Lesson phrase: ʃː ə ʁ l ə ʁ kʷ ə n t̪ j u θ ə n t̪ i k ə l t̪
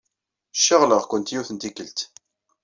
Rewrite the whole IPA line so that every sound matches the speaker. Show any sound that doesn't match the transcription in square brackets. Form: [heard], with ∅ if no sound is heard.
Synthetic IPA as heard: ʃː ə ʁ l ə ʁ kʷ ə n t̪ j u θ ə n t̪ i k ə l t̪